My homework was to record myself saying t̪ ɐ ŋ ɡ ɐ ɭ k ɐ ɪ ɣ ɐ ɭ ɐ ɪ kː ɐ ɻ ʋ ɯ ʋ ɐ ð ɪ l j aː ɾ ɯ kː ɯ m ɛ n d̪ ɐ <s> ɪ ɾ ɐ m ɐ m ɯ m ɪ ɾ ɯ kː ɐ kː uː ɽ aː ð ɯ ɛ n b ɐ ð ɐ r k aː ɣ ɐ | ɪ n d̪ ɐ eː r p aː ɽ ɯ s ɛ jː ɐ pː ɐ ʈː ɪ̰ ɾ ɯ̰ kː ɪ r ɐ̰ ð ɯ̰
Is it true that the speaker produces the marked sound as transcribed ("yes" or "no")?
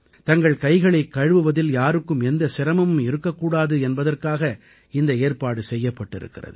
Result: yes